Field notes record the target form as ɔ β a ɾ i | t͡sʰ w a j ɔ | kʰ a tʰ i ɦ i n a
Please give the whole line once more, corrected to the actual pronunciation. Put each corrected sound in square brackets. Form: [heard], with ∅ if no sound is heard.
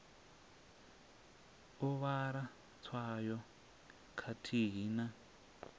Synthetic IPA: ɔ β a ɾ [a] | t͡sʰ w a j ɔ | kʰ a tʰ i ɦ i n a